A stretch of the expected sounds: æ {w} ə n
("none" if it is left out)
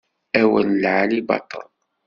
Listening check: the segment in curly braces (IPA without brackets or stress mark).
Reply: w